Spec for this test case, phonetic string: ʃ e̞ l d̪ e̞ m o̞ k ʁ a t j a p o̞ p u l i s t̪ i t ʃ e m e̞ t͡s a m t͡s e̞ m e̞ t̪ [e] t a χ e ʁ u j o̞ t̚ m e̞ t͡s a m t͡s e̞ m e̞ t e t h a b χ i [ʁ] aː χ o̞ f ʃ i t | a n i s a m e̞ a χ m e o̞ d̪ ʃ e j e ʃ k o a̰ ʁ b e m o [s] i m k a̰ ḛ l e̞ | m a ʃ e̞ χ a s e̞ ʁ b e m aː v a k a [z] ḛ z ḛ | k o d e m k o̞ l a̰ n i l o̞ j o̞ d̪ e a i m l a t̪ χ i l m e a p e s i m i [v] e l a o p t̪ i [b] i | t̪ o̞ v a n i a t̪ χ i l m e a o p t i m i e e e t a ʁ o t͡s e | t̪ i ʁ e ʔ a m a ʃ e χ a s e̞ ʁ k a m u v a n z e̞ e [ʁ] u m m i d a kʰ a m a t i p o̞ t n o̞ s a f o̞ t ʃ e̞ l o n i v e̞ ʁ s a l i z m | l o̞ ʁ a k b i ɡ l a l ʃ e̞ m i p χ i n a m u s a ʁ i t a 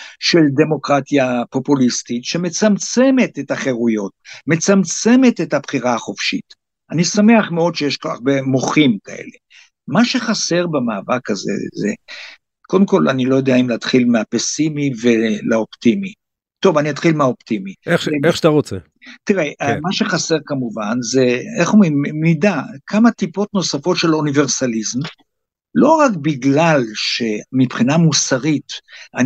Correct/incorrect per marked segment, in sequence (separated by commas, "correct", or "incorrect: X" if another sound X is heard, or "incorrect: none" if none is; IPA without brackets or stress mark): correct, correct, incorrect: χ, correct, correct, incorrect: m, incorrect: χ